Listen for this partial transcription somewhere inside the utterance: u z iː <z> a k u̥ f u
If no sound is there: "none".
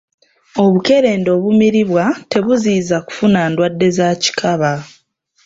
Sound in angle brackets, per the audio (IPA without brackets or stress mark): z